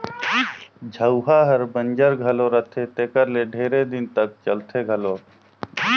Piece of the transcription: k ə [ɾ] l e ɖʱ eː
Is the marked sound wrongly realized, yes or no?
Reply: no